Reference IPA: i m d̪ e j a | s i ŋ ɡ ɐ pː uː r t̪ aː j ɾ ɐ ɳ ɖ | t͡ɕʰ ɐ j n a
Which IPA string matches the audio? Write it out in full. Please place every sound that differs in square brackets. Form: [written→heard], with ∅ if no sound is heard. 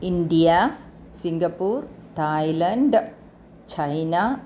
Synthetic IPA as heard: i [m→n] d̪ [e→i] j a | s i ŋ ɡ ɐ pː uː r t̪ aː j [ɾ→l] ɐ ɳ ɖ | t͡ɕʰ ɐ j n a